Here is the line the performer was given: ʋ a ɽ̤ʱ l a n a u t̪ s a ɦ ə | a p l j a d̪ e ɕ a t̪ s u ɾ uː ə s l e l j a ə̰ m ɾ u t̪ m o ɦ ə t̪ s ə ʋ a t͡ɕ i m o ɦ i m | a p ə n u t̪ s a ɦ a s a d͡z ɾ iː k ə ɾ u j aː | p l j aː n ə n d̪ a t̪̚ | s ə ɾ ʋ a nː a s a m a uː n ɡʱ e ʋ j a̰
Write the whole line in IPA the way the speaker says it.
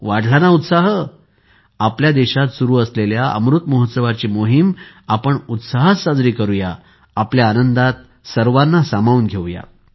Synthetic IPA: ʋ a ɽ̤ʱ l a n a u t̪ s a ɦ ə | a p l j a d̪ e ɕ a t̪ s u ɾ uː ə s l e l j a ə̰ m ɾ u t̪ m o ɦ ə t̪ s ə ʋ a t͡ɕ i m o ɦ i m | a p ə ɳ u t̪ s a ɦ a s a d͡z ɾ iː k ə ɾ u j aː | p l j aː n ə n d̪ a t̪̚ | s ə ɾ ʋ a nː a s a m a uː n ɡʱ e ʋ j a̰